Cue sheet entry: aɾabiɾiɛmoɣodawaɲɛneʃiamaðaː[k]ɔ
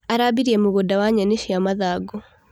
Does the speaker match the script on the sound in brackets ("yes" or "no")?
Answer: no